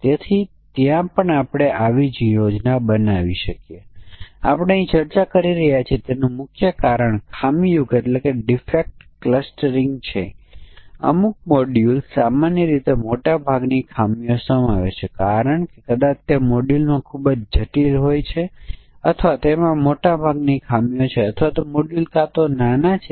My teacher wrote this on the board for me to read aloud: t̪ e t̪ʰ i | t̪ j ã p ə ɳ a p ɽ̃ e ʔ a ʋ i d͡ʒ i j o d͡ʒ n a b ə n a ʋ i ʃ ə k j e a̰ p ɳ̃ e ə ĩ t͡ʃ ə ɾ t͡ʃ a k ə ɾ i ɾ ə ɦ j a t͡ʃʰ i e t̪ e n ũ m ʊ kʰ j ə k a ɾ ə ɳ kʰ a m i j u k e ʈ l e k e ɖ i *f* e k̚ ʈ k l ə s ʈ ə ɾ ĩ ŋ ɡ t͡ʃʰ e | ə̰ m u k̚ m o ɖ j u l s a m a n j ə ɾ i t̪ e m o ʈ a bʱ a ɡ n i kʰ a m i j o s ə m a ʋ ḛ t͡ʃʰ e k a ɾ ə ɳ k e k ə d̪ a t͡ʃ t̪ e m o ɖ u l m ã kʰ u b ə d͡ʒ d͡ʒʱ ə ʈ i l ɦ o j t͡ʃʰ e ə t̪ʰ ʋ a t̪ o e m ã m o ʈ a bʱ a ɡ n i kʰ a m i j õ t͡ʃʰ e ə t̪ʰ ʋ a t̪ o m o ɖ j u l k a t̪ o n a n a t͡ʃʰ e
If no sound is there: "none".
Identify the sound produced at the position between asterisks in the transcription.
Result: f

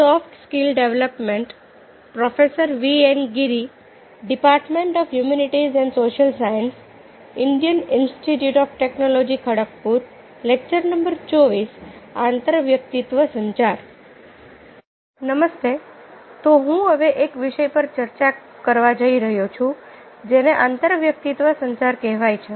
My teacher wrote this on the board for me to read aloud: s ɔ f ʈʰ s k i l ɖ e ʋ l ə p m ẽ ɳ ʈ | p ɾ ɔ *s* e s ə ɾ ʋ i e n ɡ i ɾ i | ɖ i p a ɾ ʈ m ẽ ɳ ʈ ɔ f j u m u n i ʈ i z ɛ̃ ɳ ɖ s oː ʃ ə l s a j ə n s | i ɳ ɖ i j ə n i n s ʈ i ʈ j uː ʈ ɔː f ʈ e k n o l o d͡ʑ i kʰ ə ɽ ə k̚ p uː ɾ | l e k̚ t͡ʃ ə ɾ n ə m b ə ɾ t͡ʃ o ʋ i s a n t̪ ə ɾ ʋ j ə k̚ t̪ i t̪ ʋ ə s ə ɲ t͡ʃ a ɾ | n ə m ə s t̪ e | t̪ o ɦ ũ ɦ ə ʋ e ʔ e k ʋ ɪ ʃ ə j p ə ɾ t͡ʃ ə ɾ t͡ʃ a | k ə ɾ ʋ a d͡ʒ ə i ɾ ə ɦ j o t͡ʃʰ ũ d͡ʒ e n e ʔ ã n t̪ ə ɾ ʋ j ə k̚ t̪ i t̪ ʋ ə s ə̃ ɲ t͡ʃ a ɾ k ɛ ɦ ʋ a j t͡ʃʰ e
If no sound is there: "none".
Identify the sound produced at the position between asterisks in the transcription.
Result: f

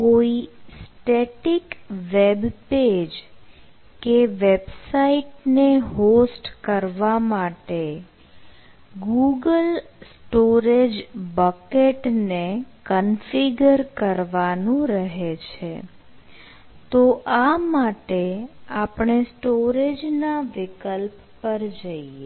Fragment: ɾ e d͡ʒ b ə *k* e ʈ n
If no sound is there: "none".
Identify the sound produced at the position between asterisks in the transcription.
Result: k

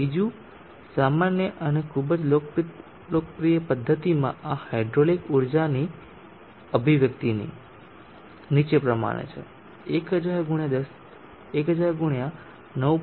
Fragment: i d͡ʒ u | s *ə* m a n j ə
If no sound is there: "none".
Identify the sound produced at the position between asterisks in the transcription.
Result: a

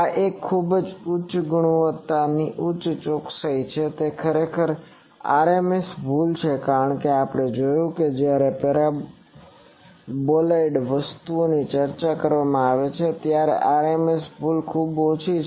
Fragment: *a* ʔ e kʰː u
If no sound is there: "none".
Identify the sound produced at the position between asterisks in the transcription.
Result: a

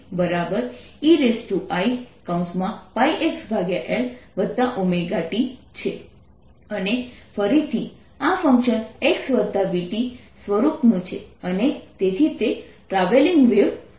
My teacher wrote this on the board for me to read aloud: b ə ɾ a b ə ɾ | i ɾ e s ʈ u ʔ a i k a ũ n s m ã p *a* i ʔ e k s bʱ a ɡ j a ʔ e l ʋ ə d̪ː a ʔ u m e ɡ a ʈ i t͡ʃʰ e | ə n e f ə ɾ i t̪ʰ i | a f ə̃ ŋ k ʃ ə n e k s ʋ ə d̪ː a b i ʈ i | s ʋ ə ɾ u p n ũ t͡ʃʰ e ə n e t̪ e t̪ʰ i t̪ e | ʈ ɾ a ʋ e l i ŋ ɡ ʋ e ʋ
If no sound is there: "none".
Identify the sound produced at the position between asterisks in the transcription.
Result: a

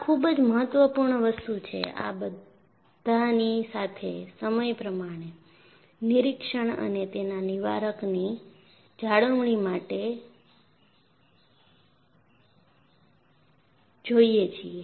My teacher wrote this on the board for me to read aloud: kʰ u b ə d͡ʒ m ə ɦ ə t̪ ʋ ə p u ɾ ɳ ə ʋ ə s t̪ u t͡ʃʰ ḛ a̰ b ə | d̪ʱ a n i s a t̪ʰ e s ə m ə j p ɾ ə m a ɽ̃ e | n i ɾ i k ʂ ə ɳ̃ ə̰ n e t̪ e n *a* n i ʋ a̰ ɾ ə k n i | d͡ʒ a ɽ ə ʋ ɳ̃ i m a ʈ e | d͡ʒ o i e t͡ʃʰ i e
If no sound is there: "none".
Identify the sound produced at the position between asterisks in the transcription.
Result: a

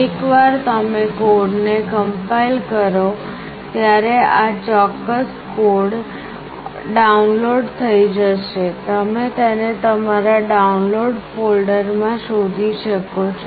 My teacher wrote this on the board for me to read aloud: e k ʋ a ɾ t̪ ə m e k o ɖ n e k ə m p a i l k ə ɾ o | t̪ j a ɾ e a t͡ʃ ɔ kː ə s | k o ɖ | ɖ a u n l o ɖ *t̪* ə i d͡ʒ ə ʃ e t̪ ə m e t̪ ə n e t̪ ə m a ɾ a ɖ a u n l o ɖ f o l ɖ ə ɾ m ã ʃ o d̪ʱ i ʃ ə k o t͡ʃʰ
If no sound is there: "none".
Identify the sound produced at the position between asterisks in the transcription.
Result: t̪ʰ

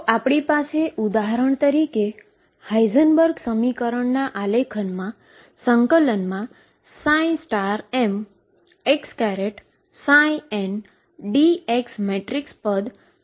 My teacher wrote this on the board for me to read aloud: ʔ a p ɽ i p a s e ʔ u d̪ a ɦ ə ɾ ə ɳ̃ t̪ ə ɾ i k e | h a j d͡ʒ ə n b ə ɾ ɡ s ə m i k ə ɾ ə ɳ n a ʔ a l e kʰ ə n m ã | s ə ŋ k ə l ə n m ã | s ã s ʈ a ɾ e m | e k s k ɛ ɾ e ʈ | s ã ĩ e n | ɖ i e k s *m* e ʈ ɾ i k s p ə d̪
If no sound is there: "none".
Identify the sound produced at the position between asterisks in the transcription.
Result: m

